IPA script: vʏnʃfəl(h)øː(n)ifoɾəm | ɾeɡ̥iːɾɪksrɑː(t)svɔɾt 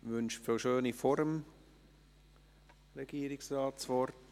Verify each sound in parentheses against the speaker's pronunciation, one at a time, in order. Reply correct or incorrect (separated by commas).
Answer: incorrect, correct, correct